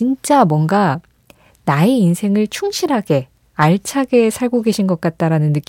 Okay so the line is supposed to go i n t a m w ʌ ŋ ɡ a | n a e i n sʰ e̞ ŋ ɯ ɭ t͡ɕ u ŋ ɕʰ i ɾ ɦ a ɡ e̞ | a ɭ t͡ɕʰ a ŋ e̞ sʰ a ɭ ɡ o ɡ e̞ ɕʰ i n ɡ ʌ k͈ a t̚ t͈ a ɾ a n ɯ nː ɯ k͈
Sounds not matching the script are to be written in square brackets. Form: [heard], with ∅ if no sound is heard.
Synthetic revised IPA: i n [t͡ɕ͈] a m w ʌ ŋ ɡ a | n a e i n sʰ e̞ ŋ ɯ ɭ [t͡ɕʰ] u ŋ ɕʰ i ɾ ɦ a ɡ e̞ | a ɭ t͡ɕʰ a [ɡ] e̞ sʰ a ɭ ɡ o ɡ e̞ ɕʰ i n ɡ ʌ k͈ a t̚ t͈ a ɾ a n ɯ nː ɯ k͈